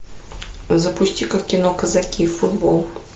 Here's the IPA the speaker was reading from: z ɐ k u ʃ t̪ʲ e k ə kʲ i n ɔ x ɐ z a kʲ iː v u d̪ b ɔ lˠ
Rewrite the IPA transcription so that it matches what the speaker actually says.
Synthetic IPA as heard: z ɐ p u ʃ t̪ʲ i k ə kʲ i n ɔ k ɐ z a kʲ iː f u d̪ b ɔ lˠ